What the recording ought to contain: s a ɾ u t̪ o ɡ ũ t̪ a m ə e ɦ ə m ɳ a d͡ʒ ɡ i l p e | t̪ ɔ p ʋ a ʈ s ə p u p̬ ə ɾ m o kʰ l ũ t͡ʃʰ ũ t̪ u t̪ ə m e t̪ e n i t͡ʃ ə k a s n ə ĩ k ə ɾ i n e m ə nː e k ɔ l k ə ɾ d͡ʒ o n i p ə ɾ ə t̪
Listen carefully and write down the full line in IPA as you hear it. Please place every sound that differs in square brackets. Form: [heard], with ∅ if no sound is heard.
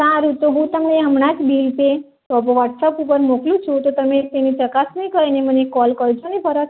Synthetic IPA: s a ɾ u t̪ o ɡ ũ t̪ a m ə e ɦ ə m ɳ a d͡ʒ [b] i l p e | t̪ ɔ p ʋ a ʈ s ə p u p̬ ə ɾ m o [k] l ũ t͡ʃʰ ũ t̪ [o] t̪ ə m e t̪ e n i t͡ʃ ə k a s n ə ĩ k ə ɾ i n e m ə [n] e k ɔ l k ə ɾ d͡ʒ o n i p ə ɾ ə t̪